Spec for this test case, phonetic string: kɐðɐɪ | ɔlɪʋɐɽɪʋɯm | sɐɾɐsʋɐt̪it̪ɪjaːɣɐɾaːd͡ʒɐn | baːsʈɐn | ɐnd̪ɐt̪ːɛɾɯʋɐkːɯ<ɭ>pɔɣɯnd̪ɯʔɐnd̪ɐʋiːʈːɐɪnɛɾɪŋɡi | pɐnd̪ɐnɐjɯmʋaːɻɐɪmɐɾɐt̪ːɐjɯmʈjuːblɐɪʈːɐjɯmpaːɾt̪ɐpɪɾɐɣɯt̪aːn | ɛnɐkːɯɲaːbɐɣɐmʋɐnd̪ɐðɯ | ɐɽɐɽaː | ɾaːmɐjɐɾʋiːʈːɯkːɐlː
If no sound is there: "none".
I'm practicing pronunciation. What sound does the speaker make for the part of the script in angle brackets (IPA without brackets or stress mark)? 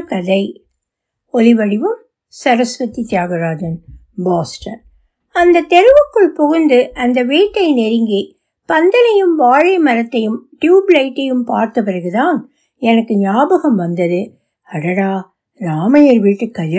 ɭ